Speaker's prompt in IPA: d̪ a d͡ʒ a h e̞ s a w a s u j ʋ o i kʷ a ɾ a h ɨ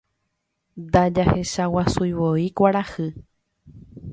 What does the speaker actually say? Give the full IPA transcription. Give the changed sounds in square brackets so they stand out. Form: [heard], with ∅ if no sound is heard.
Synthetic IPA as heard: d̪ a d͡ʒ a h e̞ [ʃ] a w a s u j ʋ o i kʷ a ɾ a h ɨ